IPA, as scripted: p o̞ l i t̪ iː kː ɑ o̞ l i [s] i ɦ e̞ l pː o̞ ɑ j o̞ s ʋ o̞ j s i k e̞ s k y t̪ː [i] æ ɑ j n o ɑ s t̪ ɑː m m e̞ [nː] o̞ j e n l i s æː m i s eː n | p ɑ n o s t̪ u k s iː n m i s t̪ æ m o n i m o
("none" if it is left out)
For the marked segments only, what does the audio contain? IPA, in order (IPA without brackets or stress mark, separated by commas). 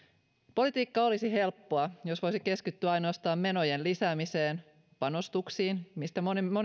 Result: s, y, n